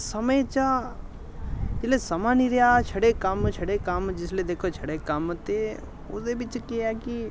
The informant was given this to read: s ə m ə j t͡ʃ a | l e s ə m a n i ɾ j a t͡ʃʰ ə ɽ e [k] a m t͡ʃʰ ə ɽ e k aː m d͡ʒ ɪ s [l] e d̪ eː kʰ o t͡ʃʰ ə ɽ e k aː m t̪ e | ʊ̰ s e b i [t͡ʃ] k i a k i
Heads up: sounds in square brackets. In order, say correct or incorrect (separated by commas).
correct, correct, correct